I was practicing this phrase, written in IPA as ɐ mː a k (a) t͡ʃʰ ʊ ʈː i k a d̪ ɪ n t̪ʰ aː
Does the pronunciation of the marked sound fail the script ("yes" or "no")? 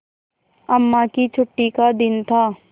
yes